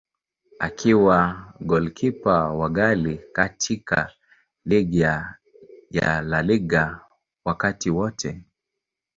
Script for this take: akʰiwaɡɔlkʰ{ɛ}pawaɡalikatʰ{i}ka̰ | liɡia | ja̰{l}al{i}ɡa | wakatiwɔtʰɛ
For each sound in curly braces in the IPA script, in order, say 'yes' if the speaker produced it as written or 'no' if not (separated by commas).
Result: no, yes, yes, yes